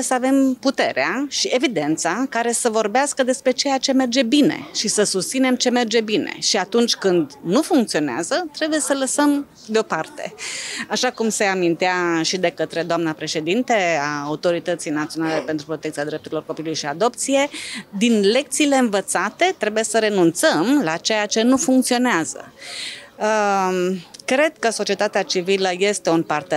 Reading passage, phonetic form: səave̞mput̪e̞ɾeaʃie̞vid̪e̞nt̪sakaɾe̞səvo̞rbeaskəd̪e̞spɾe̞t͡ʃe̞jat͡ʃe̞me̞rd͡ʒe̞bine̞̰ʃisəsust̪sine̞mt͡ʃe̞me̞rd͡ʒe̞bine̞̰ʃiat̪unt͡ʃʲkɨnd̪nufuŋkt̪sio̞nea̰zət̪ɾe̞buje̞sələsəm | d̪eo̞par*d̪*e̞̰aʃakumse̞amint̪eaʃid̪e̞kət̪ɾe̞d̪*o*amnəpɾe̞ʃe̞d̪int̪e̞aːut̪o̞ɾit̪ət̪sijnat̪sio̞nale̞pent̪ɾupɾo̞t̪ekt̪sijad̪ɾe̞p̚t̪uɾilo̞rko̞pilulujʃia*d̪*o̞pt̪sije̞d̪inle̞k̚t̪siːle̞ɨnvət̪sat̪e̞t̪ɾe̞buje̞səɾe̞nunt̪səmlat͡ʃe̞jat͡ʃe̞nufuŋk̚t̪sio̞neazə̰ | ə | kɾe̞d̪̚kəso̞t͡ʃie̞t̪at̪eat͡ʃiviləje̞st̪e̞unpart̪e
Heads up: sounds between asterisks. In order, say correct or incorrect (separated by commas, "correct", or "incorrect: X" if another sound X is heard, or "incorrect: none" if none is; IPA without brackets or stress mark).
incorrect: t̪, correct, correct